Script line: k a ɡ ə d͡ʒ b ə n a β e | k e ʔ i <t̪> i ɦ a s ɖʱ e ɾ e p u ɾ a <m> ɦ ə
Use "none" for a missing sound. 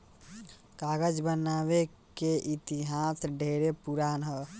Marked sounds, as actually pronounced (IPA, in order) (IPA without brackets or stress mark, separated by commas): t̪, n